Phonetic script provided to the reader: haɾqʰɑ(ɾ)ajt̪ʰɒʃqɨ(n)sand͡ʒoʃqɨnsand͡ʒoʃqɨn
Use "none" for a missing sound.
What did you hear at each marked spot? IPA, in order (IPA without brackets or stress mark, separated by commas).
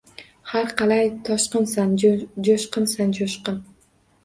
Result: l, n